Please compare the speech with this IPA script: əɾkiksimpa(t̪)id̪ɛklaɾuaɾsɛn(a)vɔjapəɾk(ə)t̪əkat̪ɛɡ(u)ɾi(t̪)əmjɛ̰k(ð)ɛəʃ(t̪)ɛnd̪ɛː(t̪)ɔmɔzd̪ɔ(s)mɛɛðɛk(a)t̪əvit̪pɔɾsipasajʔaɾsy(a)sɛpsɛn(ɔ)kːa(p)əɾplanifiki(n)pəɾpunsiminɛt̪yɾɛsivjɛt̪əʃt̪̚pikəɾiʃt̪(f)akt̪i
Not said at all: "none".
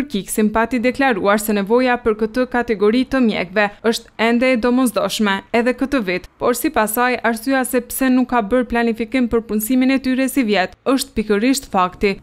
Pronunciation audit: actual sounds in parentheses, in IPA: t̪, ɛ, ə, ɔ, t̪, v, t̪, d̪, ʃ, ə, a, u, b, m, f

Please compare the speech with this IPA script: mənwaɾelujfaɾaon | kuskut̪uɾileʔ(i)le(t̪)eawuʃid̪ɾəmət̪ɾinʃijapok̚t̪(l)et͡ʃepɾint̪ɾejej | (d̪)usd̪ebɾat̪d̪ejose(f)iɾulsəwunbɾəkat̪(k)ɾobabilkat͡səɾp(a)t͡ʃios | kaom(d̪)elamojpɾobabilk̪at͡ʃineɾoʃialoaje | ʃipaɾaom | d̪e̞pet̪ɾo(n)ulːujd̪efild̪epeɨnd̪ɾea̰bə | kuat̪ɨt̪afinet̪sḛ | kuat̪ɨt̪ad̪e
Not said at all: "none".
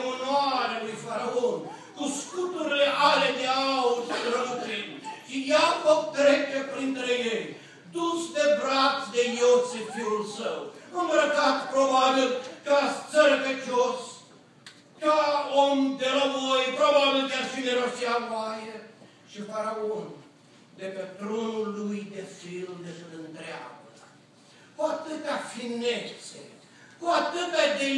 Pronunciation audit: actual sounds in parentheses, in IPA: a, d̪, ɾ, d̪, f, p, e, d̪, n

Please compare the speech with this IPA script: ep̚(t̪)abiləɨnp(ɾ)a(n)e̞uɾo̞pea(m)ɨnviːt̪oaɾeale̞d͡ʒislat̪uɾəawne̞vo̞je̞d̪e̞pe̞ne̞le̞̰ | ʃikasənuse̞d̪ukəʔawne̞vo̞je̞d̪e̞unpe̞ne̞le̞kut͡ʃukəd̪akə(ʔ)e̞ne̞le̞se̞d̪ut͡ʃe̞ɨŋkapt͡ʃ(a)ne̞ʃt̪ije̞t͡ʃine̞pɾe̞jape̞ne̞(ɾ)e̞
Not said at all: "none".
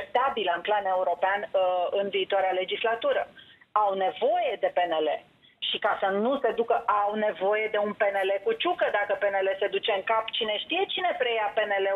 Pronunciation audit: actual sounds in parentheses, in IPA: t̪, l, n, n, p, i, l

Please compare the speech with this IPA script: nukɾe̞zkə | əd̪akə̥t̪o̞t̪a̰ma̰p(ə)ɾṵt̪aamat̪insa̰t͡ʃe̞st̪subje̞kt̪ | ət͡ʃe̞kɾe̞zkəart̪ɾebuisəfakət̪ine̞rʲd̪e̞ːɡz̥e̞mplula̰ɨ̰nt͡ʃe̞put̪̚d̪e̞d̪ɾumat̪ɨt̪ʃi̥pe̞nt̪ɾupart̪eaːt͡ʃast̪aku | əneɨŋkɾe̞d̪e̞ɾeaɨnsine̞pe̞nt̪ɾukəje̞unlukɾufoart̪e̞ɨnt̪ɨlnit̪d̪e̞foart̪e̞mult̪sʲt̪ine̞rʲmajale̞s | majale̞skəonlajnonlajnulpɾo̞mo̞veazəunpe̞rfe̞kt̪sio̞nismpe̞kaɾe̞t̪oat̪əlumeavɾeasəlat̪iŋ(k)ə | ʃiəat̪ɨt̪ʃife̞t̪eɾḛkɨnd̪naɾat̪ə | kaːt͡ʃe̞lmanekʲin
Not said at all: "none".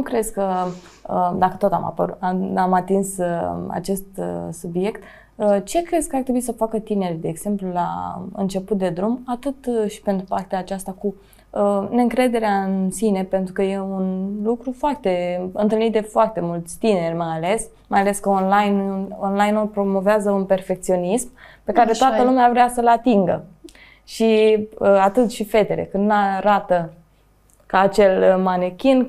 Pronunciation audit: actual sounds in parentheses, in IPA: ə, ɡ

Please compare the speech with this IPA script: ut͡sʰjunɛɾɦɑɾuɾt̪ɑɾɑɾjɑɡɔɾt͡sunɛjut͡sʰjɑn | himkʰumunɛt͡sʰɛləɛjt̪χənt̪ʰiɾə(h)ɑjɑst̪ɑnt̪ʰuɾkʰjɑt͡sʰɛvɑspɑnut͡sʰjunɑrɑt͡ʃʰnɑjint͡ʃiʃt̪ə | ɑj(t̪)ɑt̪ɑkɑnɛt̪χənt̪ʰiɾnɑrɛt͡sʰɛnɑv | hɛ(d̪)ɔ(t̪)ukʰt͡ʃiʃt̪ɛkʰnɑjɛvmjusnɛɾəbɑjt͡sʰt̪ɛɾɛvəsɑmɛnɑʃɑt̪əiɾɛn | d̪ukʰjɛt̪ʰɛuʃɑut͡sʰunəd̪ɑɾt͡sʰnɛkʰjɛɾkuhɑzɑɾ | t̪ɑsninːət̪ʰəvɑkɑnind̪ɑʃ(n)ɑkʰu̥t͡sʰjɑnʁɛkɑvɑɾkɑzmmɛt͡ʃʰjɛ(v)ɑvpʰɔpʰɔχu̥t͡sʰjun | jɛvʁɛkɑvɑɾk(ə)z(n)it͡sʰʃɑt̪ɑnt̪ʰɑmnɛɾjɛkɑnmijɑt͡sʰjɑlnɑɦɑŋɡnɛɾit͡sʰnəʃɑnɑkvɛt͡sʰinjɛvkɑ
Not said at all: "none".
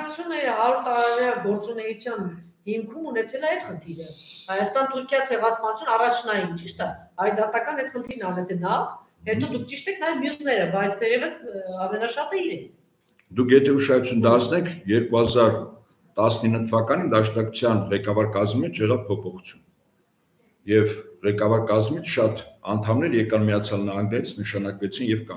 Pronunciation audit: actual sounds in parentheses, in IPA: h, d̪, t̪, d̪, n, ʁ, ɑ, m

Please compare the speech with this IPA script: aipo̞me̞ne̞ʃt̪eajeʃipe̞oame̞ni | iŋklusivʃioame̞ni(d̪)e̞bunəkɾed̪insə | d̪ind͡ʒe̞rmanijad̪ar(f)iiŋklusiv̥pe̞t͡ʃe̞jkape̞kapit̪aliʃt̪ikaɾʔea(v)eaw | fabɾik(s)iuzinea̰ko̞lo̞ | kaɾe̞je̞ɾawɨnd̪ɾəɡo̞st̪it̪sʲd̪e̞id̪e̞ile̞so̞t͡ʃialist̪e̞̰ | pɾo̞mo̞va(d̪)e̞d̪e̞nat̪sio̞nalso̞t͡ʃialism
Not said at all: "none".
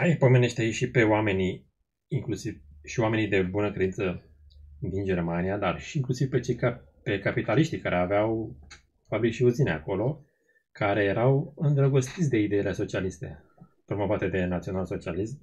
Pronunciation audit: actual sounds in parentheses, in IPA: d̪, ʃ, v, ʃ, t̪

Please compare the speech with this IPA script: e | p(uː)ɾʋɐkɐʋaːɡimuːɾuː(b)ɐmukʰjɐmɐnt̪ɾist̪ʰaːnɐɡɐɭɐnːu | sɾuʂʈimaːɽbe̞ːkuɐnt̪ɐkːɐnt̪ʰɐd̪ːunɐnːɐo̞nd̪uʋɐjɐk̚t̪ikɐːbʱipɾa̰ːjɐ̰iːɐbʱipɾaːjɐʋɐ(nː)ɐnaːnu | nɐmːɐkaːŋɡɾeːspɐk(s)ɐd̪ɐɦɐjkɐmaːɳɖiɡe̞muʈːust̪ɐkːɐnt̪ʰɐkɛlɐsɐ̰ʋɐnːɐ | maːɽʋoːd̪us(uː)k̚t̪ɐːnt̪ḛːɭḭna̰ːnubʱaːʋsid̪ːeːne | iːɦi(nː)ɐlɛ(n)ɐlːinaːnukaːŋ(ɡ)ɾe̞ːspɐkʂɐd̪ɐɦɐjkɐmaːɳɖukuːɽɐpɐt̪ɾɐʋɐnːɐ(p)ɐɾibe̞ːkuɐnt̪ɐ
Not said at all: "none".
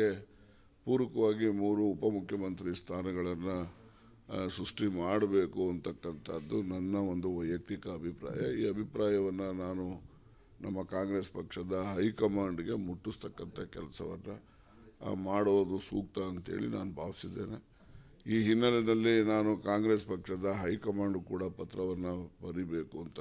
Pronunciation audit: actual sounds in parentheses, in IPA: uː, p, nː, ʂ, uː, nː, n, ɡ, b

